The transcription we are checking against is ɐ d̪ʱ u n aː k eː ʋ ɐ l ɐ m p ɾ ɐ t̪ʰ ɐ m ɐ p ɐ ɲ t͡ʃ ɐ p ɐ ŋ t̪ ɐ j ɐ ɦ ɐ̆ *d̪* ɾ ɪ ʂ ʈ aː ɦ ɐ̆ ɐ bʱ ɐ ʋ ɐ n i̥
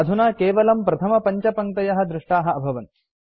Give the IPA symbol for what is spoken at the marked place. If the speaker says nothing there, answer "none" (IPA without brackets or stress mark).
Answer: d̪